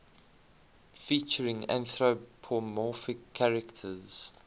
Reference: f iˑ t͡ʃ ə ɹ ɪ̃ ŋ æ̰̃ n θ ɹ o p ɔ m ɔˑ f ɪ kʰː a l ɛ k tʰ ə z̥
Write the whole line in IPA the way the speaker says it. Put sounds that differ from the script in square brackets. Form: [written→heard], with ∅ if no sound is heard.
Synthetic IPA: f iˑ t͡ʃ ə ɹ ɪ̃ ŋ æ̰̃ n θ ɹ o [p→pʰ] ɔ m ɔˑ f ɪ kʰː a [l→ɹ] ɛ k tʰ ə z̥

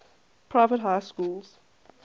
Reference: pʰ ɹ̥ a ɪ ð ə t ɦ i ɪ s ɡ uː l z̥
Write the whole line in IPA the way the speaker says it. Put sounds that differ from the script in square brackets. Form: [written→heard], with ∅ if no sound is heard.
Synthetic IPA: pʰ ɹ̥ a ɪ [ð→v] ə t ɦ [i→a] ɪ s [ɡ→k] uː l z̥

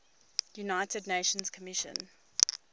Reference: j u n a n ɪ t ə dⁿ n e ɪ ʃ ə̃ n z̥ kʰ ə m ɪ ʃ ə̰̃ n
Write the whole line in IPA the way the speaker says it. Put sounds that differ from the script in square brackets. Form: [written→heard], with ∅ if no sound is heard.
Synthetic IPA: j u n a [n→∅] ɪ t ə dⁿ n e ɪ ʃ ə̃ n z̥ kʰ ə m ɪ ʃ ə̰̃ n

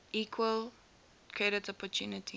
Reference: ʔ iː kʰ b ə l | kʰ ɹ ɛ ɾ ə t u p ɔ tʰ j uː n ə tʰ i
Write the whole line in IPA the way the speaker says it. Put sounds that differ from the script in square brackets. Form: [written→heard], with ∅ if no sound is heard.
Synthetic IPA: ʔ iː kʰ [b→w] ə l | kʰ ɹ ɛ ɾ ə t [u→ɔ] p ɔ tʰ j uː n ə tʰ i

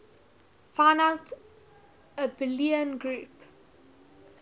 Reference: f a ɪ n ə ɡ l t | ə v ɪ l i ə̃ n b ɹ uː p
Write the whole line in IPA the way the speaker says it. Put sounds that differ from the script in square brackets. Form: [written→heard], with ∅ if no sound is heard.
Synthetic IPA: f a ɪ n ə [ɡ→∅] l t | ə [v→b] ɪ l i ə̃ n [b→ɡ] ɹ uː p

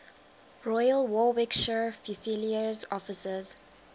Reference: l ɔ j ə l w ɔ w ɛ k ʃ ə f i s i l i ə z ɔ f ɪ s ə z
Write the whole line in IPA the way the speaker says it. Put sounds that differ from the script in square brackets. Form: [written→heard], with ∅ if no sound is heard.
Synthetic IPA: [l→ɹ] ɔ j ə l w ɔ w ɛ k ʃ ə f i s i l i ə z ɔ f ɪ s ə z

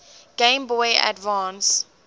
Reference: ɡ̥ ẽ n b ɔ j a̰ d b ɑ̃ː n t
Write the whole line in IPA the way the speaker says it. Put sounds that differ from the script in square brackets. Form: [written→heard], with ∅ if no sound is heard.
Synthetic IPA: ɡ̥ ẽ [n→m] b ɔ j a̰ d [b→v] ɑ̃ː n [t→s]

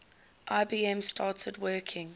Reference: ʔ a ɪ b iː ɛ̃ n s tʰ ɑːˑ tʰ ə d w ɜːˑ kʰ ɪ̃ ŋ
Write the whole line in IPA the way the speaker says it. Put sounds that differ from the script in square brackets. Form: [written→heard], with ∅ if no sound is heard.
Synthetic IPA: ʔ a ɪ b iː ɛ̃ [n→m] s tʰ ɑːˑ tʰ ə d w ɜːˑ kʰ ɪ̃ ŋ

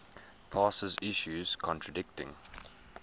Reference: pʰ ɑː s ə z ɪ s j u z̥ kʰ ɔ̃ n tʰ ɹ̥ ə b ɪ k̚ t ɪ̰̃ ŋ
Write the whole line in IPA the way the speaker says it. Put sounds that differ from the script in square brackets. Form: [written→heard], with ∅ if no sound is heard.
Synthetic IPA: pʰ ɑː s ə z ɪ [s→ʃ] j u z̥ kʰ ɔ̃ n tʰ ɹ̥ ə [b→d] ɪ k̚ t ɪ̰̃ ŋ

